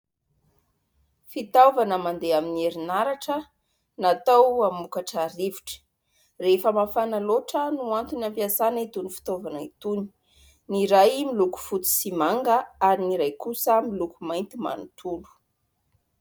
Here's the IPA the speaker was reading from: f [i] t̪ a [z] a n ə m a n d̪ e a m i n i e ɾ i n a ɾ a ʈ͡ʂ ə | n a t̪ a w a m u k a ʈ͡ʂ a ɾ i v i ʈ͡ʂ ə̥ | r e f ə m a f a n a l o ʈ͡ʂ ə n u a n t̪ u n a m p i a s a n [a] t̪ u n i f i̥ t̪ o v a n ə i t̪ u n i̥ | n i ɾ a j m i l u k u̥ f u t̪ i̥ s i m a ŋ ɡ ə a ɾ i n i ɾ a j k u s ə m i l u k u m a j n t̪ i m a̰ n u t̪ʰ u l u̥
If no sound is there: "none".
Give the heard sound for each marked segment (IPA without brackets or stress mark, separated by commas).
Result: i, v, i